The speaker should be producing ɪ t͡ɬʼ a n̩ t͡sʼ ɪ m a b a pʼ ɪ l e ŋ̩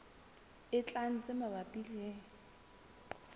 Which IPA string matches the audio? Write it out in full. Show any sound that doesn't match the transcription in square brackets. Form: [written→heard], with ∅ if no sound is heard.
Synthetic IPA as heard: ɪ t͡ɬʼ a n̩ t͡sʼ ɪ m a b a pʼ [ɪ→i] l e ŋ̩